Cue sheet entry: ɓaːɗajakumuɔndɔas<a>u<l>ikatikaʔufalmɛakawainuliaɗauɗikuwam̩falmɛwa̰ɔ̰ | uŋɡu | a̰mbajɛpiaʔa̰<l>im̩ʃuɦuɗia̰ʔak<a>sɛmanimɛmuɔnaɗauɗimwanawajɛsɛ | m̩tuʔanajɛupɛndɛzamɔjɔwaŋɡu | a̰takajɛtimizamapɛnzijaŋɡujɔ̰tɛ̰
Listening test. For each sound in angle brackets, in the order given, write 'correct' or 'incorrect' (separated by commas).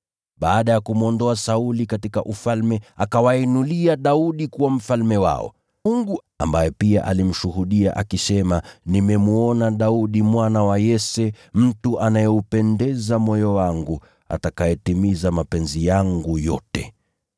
correct, correct, correct, incorrect